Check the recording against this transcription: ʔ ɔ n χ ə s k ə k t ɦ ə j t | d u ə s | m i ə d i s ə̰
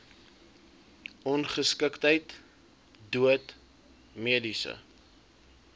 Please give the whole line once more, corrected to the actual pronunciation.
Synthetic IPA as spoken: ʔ ɔ n χ ə s k ə k t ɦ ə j t | d u ə t | m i ə d i s ə̰